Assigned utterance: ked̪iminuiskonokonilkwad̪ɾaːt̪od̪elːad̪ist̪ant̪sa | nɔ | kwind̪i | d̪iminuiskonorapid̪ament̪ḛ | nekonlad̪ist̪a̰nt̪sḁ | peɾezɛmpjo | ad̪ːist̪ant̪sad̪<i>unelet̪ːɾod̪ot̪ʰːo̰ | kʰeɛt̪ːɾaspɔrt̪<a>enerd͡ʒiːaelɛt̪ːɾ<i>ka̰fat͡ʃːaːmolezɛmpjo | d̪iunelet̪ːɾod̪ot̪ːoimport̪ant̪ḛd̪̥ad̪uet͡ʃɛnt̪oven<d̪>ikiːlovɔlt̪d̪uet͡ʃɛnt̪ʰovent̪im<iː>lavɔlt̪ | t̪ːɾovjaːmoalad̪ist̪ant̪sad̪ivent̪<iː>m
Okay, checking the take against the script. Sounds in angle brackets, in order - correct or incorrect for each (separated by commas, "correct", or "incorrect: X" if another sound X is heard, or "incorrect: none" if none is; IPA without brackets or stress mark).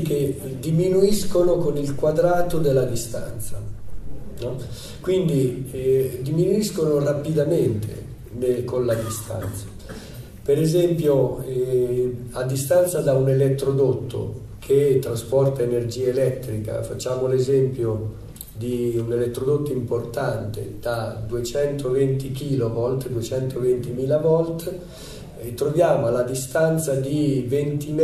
incorrect: a, correct, correct, incorrect: t̪, correct, incorrect: i